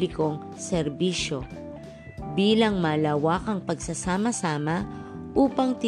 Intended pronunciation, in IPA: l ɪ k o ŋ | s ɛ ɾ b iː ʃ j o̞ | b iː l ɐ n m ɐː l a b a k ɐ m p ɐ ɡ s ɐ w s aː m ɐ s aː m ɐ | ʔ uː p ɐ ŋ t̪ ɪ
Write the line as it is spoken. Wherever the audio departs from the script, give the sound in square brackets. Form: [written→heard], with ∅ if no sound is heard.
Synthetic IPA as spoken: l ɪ k o ŋ | s ɛ ɾ b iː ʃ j o̞ | b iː l ɐ [n→ŋ] m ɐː l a [b→w] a k ɐ [m→ŋ] p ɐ ɡ s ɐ [w→∅] s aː m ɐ s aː m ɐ | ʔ uː p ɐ ŋ t̪ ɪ